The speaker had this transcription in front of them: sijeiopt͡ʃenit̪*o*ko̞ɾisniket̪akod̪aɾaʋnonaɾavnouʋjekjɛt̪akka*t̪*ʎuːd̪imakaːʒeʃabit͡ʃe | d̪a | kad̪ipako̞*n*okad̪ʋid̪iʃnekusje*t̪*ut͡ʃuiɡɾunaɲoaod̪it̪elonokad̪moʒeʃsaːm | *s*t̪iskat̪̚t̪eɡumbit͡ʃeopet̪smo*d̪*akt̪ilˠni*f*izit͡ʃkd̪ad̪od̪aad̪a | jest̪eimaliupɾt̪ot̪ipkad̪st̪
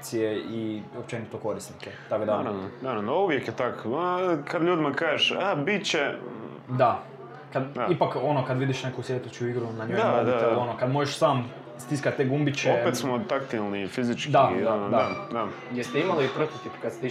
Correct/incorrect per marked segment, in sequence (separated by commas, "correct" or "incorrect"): correct, incorrect, correct, correct, correct, incorrect, correct